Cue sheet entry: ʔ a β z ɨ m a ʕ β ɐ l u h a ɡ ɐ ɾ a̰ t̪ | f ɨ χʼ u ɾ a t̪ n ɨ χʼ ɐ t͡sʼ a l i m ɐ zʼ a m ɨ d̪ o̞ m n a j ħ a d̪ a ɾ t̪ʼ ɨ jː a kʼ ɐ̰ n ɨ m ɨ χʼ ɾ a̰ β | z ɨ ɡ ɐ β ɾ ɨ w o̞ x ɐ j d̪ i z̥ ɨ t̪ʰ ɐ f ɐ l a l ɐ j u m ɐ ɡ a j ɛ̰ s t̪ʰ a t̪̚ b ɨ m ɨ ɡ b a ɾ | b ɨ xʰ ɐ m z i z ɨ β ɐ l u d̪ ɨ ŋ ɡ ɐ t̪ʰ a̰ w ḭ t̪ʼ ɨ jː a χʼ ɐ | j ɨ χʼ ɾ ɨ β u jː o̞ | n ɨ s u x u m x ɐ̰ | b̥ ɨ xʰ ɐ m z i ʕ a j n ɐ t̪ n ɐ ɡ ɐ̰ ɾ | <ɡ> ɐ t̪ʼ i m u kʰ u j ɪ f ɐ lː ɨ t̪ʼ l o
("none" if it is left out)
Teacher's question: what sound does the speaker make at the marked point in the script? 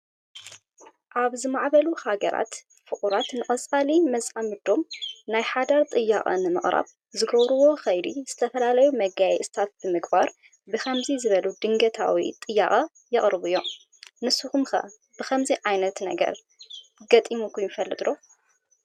ɡ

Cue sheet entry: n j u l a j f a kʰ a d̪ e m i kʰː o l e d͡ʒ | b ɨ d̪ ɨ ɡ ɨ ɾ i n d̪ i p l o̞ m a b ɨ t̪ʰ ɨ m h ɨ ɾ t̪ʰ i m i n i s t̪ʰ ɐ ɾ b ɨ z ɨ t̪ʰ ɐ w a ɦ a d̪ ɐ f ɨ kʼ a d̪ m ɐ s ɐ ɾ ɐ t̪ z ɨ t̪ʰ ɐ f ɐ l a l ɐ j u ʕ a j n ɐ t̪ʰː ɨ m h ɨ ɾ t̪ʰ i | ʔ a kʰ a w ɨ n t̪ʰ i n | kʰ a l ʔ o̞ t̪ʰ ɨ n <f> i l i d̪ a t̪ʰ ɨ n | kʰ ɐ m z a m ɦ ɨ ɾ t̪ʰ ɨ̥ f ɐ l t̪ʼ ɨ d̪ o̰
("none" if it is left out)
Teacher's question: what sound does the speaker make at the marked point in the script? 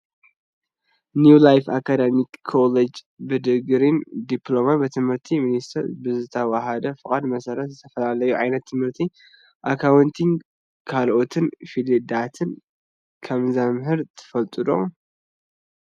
f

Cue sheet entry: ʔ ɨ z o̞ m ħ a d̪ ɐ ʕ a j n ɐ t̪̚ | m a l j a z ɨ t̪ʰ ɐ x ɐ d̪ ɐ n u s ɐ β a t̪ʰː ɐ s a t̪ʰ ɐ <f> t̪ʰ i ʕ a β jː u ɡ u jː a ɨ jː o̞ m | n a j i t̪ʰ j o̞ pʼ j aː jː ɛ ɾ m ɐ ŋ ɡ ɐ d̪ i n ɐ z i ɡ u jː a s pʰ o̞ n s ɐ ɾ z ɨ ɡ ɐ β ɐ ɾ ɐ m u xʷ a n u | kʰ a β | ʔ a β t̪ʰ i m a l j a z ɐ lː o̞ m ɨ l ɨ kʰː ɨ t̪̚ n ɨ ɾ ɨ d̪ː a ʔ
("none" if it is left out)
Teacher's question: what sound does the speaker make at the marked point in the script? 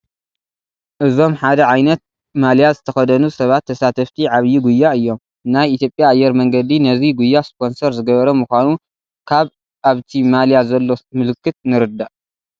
f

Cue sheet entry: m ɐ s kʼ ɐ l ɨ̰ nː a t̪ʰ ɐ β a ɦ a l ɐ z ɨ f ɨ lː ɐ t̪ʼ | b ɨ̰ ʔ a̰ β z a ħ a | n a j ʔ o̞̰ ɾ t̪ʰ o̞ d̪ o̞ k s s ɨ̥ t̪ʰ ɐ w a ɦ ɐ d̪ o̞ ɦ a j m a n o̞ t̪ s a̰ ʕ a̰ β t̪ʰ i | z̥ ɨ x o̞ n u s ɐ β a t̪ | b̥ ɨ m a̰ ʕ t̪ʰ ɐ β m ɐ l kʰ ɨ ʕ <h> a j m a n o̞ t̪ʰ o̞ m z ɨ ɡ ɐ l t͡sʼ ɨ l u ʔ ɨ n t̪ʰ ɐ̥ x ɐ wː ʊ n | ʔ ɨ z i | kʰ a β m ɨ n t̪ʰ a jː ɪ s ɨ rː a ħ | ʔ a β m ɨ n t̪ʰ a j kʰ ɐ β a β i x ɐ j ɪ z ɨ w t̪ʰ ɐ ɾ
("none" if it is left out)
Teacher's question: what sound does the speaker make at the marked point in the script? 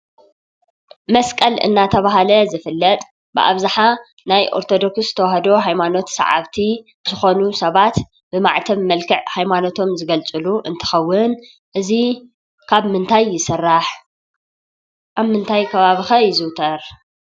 h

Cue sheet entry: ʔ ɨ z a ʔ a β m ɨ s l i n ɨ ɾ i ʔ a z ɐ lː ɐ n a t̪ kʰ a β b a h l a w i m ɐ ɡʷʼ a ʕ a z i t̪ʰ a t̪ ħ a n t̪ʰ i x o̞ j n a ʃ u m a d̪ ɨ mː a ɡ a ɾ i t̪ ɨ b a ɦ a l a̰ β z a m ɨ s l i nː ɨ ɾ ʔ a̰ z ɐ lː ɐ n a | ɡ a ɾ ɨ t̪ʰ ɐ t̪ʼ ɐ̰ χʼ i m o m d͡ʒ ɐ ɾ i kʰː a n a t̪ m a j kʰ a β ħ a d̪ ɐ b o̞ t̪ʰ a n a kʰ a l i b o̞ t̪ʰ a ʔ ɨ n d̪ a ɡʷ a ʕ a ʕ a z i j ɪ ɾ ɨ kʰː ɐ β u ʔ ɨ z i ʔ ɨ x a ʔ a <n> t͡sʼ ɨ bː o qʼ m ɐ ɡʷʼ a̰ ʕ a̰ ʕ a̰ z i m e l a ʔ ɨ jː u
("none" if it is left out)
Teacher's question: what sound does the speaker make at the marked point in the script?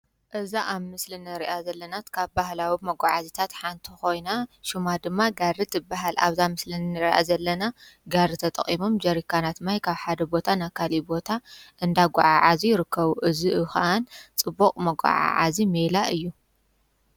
n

